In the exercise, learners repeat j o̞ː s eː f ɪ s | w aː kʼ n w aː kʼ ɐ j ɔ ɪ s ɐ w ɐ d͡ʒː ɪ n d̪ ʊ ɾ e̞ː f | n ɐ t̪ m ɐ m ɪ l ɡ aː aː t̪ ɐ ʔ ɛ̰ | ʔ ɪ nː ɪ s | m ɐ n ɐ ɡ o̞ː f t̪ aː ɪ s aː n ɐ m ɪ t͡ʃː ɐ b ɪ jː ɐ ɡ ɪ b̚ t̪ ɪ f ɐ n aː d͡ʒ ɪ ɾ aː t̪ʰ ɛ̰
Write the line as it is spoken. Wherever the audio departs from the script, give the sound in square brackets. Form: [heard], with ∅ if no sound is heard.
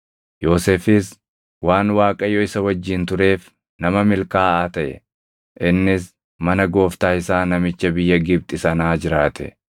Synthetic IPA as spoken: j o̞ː s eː f ɪ s | w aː [∅] n w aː kʼ ɐ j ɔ ɪ s ɐ w ɐ d͡ʒː ɪ n [t̪] ʊ ɾ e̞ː f | n ɐ [∅] m ɐ m ɪ l [k] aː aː t̪ ɐ ʔ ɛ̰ | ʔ ɪ nː ɪ s | m ɐ n ɐ ɡ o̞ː f t̪ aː ɪ s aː n ɐ m ɪ t͡ʃː ɐ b ɪ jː ɐ ɡ ɪ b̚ [t̪ʼ] ɪ [s] ɐ n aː d͡ʒ ɪ ɾ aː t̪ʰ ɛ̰